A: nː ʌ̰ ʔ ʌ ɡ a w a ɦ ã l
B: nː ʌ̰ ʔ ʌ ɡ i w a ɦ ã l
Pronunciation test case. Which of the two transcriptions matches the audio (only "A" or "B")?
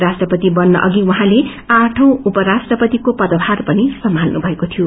B